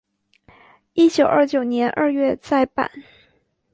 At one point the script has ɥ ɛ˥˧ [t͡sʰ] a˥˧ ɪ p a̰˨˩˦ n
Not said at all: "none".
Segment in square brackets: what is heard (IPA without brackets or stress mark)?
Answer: t͡s